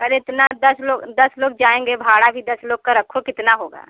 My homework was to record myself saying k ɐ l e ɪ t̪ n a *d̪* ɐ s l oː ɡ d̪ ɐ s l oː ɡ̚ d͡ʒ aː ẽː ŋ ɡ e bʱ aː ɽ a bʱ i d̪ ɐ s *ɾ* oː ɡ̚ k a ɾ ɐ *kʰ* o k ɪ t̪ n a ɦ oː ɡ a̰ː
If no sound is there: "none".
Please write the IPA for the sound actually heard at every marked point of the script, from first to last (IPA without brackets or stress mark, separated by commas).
d̪, l, kʰ